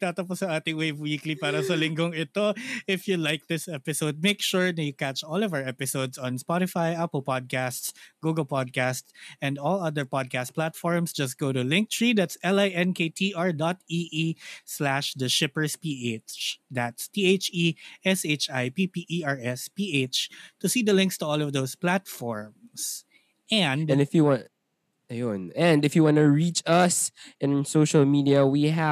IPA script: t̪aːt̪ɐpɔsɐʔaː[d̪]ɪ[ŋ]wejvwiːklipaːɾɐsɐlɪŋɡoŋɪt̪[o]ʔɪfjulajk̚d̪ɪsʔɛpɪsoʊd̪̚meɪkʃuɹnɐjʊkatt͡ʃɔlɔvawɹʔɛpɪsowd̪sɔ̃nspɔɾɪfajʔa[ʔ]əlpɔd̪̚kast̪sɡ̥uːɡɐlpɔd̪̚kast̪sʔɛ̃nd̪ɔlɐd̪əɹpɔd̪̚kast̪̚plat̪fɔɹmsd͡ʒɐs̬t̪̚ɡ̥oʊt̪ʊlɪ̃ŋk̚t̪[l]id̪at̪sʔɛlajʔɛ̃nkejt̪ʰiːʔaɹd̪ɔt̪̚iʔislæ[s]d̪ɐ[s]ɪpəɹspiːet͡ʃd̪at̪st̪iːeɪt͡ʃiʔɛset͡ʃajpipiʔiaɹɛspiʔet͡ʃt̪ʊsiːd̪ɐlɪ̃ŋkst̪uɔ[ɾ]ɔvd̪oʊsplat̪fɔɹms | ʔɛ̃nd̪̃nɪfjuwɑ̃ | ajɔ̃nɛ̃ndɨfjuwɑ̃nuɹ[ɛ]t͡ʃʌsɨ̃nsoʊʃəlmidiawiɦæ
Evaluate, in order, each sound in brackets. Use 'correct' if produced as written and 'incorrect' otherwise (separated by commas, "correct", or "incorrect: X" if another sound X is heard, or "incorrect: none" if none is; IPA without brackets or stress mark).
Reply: incorrect: t̪, correct, correct, incorrect: p, incorrect: ɹ, incorrect: ʃ, incorrect: ʃ, incorrect: l, incorrect: i